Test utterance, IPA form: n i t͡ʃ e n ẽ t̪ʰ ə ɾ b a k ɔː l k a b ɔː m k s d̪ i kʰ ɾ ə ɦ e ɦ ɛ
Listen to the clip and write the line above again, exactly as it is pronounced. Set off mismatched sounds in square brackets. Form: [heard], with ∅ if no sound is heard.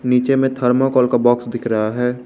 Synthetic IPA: n [iː] t͡ʃ e [m] ẽ t̪ʰ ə ɾ [m] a k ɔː l k a b ɔː [∅] k s d̪ [ɪ] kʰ ɾ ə ɦ [a] ɦ [ɛː]